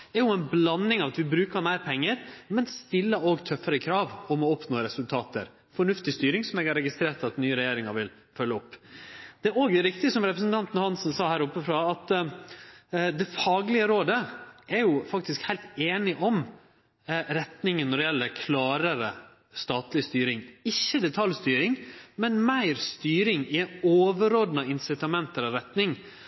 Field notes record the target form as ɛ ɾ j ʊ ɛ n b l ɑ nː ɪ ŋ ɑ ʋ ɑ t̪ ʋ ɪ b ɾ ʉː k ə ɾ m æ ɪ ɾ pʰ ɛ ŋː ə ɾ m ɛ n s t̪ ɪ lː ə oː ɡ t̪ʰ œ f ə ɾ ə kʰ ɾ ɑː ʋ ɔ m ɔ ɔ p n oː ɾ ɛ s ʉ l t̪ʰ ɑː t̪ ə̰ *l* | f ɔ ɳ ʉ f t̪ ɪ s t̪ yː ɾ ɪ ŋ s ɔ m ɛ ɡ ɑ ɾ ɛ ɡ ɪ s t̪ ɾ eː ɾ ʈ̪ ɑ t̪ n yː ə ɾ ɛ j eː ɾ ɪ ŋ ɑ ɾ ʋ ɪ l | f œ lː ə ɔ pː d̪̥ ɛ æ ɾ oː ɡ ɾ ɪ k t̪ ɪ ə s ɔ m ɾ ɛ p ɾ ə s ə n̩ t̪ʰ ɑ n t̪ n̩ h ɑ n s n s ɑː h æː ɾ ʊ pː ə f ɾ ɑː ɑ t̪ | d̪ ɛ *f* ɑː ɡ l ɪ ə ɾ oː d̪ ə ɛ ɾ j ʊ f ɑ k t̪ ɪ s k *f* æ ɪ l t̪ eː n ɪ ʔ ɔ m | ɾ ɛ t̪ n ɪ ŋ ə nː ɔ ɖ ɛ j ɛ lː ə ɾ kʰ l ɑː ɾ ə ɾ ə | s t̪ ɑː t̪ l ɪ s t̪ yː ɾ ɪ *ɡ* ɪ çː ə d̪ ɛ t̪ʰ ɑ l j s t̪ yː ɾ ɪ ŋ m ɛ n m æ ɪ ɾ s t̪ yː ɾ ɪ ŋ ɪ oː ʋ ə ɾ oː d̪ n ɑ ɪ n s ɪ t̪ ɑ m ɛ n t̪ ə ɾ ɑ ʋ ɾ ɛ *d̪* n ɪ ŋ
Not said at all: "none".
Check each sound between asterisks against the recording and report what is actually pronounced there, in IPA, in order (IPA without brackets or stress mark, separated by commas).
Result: ɾ, f, h, ŋ, t̪